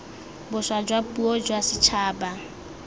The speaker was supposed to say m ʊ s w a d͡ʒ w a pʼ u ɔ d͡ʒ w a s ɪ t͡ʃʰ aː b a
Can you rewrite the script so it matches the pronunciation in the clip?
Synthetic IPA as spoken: b ʊ s w a d͡ʒ w a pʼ u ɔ d͡ʒ w a s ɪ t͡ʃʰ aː b a